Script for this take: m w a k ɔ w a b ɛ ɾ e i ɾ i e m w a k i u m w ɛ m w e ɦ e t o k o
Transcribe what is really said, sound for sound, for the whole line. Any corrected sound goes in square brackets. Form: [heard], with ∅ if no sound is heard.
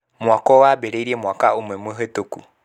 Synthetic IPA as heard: m w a k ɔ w a b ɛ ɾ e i ɾ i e m w a k [a] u m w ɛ m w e ɦ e t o k [u]